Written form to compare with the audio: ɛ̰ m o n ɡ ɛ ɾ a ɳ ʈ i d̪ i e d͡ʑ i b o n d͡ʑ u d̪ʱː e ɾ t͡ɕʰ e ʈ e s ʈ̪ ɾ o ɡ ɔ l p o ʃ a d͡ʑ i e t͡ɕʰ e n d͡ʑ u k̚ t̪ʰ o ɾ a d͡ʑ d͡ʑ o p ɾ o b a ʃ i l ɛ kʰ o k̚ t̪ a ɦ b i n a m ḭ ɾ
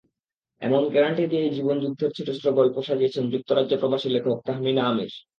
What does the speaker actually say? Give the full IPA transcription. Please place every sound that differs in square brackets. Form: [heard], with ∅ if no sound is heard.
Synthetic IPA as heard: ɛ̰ m o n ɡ ɛ ɾ a ɳ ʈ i d̪ i e d͡ʑ i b o n d͡ʑ u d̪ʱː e ɾ t͡ɕʰ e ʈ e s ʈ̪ ɾ o ɡ ɔ l p o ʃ a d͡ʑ i e t͡ɕʰ e n d͡ʑ u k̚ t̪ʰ o ɾ a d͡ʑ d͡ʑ o p ɾ o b a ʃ i l [e] kʰ o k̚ t̪ a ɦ [m] i n a m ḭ ɾ

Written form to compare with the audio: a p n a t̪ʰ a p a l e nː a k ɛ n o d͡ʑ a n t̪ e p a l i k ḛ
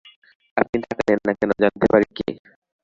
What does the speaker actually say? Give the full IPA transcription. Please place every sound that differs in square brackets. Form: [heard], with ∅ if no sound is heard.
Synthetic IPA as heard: a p n [i] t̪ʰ a [k] a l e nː a k ɛ n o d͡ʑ a n t̪ e p a [ɾ] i k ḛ

